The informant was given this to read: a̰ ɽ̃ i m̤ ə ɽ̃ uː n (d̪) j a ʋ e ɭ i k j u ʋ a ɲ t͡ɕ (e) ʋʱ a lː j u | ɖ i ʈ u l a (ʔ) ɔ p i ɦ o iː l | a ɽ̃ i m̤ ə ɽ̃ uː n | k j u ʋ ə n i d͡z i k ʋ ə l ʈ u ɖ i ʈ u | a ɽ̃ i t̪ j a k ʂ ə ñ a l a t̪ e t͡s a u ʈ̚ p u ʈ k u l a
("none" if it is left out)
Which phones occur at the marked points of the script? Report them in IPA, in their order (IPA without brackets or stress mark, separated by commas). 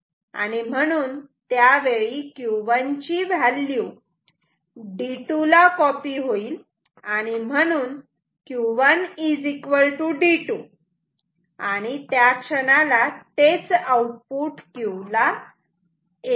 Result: t̪, i, k